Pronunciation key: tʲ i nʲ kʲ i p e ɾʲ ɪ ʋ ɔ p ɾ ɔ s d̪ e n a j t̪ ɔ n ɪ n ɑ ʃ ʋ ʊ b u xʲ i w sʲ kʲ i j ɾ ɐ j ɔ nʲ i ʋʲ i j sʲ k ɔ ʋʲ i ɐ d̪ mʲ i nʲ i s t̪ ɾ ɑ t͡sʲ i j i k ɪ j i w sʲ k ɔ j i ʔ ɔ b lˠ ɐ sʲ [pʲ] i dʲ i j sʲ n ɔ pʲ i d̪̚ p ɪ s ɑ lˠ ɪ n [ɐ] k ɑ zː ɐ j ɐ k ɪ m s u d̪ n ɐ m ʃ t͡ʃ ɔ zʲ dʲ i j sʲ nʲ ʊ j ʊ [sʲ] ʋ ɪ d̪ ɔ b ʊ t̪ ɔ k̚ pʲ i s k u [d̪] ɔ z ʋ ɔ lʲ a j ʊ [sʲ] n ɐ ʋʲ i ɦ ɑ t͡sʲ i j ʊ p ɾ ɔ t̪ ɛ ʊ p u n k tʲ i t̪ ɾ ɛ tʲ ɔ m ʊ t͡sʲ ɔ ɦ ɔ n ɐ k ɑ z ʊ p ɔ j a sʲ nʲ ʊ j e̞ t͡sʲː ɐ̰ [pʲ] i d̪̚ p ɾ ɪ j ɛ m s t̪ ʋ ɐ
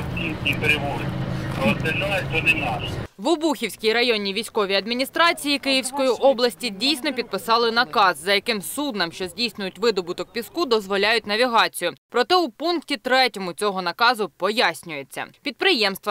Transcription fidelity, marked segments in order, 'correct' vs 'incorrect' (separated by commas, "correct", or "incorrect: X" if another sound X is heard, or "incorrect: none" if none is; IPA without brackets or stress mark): incorrect: tʲ, correct, incorrect: tʲ, correct, incorrect: tʲ, correct